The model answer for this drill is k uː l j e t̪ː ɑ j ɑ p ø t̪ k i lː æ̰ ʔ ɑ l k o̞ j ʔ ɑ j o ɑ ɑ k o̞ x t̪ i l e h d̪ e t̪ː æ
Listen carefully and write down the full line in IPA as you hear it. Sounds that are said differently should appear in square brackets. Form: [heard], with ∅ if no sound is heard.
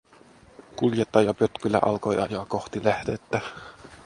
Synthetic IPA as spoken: k [u] l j e t̪ː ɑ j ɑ p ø t̪ k [y] lː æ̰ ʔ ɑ l k o̞ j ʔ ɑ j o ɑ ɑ k o̞ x t̪ i l [æ] h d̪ e t̪ː æ